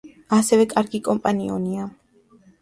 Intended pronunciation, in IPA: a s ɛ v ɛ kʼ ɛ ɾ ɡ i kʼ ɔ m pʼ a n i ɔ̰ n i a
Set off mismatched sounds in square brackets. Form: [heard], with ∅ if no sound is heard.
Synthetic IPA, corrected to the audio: a s ɛ v ɛ kʼ [a] ɾ ɡ i kʼ ɔ m pʼ a n i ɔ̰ n i a